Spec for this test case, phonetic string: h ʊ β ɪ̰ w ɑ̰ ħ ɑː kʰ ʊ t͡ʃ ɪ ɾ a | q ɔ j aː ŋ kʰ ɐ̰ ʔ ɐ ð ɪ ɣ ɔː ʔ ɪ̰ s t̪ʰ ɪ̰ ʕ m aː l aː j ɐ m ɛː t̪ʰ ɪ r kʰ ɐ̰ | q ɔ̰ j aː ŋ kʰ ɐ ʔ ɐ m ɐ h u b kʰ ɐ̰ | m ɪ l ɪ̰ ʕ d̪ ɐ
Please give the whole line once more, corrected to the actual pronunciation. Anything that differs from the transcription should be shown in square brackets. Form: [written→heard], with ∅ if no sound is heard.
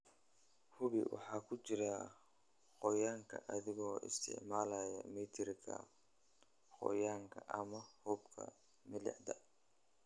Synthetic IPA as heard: h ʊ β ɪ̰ w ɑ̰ ħ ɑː kʰ ʊ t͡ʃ ɪ ɾ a | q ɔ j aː ŋ kʰ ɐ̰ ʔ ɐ ð ɪ ɣ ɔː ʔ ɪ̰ s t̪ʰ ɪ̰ ʕ m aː l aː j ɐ m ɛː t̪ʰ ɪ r kʰ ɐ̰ | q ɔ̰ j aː ŋ kʰ ɐ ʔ ɐ m ɐ h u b kʰ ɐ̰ | m ɪ l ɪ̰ ʕ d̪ ɐ